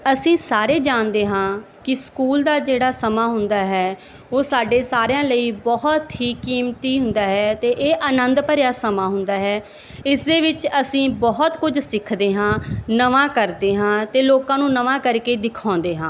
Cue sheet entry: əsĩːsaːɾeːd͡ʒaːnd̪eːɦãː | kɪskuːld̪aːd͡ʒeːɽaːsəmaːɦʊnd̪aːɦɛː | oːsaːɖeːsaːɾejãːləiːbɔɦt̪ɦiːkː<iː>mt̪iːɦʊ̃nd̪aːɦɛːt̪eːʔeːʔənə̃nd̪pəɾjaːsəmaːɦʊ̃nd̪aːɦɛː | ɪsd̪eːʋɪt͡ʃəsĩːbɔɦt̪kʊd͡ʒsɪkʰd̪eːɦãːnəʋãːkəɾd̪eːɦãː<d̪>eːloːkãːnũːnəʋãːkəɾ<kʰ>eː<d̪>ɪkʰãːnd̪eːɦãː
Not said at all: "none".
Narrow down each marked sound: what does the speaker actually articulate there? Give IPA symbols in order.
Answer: iː, t̪, k, d̪

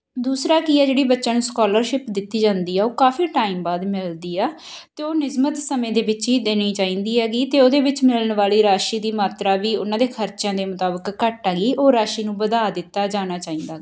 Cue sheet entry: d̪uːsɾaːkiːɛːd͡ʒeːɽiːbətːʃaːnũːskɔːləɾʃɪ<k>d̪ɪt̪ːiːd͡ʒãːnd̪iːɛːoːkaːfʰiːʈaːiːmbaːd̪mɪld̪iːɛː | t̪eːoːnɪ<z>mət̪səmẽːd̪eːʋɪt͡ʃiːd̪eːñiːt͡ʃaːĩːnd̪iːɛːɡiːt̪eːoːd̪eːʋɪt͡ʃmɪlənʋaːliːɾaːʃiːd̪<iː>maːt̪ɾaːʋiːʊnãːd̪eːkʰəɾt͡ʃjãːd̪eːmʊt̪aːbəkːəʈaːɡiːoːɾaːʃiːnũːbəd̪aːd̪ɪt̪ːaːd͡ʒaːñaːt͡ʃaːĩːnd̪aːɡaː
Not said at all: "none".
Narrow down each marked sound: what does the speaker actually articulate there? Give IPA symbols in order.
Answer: p, z, iː

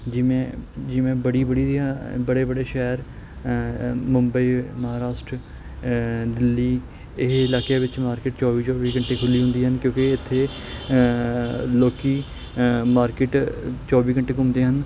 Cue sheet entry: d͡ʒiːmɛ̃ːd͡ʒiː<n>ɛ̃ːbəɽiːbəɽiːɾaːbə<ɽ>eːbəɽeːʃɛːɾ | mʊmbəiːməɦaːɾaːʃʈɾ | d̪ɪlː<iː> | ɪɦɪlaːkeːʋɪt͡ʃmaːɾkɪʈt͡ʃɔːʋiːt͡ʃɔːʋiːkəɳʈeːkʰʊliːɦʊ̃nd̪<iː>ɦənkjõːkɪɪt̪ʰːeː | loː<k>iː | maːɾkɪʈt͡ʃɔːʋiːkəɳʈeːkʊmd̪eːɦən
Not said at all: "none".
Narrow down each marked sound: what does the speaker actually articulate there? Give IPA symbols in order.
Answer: m, ɽ, iː, iː, k

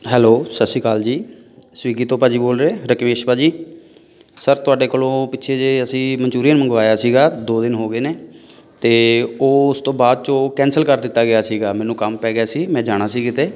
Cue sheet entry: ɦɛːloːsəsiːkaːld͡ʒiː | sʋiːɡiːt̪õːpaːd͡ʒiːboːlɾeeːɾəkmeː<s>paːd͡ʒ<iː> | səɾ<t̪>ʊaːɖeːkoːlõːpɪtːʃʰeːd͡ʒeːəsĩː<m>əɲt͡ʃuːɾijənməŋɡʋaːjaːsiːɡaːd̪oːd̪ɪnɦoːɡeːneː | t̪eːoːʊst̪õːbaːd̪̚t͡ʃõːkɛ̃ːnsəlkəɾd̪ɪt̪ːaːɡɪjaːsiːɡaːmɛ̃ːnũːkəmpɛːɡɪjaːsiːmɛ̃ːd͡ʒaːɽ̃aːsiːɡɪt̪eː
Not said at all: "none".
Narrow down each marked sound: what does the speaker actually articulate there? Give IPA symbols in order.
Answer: ʃ, iː, t̪, m

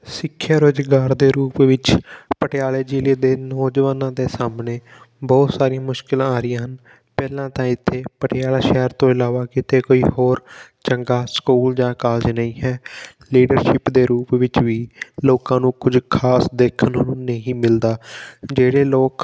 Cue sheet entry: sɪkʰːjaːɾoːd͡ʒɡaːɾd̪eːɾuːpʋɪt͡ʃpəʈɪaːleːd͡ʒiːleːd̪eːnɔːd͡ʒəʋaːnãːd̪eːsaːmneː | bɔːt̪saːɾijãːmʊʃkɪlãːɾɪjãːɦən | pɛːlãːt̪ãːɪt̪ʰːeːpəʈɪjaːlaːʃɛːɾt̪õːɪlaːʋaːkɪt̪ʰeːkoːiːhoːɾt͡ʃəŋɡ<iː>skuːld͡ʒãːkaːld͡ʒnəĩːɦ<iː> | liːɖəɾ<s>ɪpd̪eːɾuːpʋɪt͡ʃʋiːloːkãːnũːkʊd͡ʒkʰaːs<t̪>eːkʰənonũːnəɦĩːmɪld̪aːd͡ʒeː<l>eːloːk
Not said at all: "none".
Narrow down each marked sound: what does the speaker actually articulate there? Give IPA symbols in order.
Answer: aː, ɛː, ʃ, d̪, ɽ

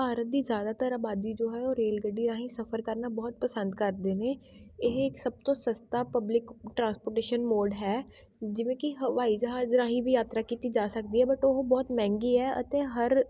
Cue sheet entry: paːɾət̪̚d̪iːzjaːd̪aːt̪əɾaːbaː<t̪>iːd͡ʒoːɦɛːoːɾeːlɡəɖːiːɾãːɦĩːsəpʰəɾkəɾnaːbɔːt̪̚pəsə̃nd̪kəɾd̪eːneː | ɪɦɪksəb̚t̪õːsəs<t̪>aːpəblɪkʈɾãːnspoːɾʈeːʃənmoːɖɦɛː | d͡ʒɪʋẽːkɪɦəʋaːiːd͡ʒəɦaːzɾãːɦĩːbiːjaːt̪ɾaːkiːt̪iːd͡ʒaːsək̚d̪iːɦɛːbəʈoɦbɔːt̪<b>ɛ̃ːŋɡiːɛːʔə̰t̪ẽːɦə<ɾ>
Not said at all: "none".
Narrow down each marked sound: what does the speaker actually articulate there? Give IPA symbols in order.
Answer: d̪, t̪, m, ɾ

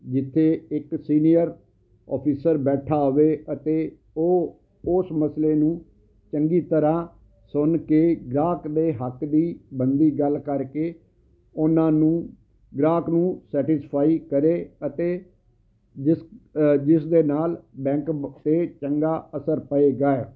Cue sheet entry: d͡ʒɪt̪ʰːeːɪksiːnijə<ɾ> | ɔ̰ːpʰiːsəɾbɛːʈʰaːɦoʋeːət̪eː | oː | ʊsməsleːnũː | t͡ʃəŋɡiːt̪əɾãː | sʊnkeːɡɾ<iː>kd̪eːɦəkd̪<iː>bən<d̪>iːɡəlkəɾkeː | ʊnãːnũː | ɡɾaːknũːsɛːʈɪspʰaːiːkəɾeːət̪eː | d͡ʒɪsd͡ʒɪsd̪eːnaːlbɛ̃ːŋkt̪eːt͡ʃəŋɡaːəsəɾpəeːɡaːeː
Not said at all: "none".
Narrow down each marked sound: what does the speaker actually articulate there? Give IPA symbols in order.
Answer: ɾ, aː, iː, d̪

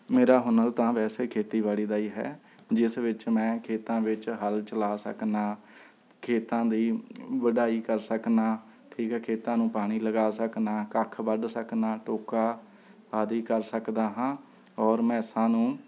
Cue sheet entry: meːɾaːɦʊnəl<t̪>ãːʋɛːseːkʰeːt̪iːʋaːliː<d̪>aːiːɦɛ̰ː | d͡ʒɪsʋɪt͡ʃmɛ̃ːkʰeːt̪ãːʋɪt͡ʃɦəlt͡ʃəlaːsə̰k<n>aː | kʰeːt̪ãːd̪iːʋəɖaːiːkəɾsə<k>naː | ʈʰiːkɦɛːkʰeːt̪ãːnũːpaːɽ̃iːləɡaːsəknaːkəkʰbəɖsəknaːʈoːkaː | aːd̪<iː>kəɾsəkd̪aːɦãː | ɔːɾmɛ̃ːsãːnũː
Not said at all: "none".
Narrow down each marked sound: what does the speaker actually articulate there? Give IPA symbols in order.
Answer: t̪, d̪, n, k, iː

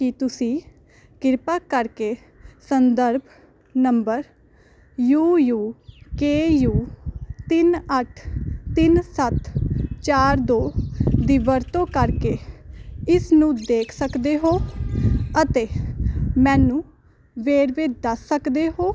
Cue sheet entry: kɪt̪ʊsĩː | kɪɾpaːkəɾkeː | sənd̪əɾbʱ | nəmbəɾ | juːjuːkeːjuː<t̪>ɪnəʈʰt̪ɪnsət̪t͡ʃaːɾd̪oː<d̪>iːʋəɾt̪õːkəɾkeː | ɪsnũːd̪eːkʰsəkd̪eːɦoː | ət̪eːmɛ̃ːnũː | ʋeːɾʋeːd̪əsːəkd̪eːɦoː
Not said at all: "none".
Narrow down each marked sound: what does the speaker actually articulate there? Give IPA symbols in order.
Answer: t̪, d̪

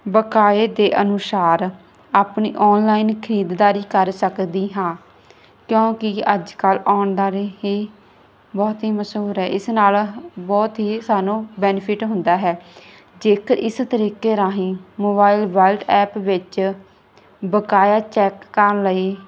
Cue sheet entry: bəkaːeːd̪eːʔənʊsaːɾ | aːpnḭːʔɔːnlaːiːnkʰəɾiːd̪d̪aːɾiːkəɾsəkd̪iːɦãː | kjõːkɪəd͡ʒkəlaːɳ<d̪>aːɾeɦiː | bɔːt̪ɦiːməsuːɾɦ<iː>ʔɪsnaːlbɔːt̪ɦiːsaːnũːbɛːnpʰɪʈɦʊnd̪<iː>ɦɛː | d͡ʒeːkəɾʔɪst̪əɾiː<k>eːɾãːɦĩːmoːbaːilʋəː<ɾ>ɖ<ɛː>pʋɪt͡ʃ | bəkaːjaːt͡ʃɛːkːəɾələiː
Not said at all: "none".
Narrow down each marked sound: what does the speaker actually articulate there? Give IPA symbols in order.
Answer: d̪, ɛː, aː, k, l, ɛː

